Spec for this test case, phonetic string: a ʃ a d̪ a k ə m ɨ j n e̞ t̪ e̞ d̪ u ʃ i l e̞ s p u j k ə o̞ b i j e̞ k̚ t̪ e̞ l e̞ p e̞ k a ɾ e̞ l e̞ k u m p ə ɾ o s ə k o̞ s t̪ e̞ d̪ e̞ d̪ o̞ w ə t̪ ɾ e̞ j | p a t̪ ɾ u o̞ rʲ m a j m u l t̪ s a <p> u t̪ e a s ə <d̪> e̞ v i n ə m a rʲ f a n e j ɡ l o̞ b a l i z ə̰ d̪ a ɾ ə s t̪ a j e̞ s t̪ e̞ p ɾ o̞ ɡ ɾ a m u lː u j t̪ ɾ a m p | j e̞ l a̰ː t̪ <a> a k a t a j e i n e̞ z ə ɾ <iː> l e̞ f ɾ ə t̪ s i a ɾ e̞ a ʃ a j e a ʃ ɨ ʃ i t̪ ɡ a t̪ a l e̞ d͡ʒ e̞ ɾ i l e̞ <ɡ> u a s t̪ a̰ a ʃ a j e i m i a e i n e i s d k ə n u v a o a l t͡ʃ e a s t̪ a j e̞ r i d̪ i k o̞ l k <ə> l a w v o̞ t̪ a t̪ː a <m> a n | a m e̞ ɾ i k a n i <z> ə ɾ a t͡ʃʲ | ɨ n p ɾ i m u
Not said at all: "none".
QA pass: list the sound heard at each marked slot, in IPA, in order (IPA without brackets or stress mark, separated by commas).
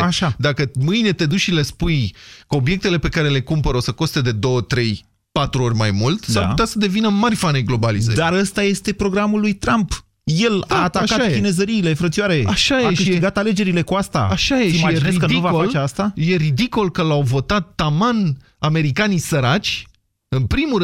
p, d̪, a, iː, k, ə, m, s